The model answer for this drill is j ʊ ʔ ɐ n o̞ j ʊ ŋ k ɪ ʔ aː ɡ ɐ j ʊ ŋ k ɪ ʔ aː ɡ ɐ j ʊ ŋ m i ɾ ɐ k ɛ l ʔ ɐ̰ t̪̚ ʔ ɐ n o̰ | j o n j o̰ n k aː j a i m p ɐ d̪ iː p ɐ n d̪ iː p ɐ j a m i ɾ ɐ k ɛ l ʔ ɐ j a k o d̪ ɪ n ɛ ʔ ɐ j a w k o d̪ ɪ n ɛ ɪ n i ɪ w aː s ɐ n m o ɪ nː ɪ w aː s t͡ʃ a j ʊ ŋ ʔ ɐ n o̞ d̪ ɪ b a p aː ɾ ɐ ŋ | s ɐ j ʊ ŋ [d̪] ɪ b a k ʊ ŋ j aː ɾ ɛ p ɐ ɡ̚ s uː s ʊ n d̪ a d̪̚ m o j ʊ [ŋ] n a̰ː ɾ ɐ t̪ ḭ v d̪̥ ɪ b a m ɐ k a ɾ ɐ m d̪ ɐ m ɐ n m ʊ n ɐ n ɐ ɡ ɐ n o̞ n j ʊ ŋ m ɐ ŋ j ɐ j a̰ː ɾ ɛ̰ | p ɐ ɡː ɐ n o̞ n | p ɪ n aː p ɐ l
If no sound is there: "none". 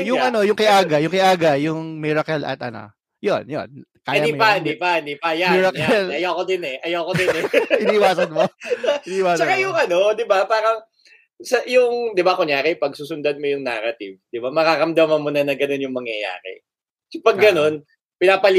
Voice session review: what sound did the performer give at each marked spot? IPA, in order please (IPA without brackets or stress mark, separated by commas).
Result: d̪, ŋ